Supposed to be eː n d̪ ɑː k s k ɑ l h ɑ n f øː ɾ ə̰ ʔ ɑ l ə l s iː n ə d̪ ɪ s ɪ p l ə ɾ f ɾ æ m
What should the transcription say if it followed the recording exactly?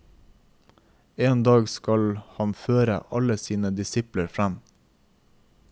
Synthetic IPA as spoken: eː n d̪ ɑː ɡ s k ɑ l h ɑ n f øː ɾ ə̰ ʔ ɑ l ə s iː n ə d̪ ɪ s ɪ p l ə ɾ f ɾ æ m

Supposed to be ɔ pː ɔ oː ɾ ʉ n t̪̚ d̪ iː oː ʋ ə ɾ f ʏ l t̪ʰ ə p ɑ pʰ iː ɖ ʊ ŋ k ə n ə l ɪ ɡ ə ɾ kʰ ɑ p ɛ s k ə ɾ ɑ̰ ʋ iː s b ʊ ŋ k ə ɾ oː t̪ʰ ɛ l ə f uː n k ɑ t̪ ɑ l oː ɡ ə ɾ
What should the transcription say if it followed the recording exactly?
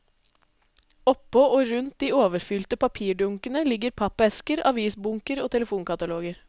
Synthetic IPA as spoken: ɔ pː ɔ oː ɾ ʉ n t̪̚ d̪ iː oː ʋ ə ɾ f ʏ l t̪ ə p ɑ pʰ iː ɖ ʊ ŋ k ə n ə l ɪ ɡ ə ɾ pʰ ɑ p ɛ s k ə ɾ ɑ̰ ʋ iː s b ʊ ŋ k ə ɾ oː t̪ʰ ɛ l ə f uː n k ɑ t̪ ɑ l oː ɡ ə ɾ

